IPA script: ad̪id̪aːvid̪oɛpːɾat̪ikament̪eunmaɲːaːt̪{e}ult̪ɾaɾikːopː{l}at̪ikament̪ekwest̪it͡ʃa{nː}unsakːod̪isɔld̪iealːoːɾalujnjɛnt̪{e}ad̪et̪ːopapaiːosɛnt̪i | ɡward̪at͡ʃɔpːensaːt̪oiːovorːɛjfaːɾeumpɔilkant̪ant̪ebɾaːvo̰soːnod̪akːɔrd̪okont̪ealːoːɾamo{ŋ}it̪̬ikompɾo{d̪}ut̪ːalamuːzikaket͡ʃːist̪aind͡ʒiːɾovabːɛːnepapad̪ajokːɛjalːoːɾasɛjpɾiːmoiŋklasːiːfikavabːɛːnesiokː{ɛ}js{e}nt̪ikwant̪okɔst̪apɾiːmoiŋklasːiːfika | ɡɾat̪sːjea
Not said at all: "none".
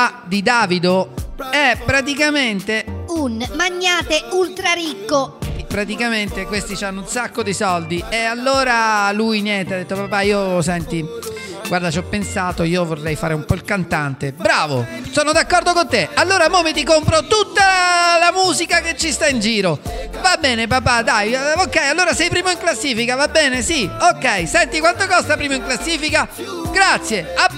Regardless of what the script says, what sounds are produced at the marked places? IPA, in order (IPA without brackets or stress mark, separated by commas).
e, ɾ, nː, e, m, t̪, ɛ, ɛ